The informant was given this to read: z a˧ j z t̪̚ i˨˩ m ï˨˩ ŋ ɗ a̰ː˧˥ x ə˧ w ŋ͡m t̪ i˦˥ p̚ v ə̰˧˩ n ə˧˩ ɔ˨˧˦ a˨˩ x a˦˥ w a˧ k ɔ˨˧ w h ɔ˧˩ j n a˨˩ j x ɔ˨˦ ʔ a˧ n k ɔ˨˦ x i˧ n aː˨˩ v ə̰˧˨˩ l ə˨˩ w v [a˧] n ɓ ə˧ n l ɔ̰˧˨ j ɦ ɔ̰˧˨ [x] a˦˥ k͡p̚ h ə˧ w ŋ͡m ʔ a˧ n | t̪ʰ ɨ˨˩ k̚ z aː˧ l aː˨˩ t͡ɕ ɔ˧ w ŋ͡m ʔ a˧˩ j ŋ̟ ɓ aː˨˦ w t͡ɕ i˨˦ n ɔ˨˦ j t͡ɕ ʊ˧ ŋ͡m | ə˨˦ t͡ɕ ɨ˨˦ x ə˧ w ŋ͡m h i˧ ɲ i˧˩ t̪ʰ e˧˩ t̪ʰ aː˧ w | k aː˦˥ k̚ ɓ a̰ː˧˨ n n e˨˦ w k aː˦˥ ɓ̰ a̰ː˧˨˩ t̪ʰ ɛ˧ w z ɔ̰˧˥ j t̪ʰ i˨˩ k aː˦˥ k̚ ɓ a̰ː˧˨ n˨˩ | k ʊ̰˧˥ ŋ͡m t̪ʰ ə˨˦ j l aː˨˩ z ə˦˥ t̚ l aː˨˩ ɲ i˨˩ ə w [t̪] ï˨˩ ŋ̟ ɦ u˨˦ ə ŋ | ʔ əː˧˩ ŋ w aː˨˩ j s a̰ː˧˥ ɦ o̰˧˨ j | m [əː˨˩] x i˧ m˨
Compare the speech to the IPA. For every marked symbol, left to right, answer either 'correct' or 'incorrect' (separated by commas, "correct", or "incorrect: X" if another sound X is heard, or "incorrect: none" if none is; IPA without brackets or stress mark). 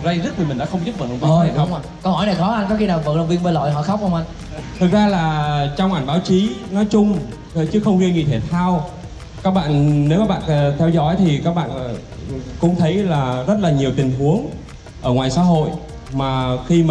incorrect: i˧, correct, correct, incorrect: aː˨˩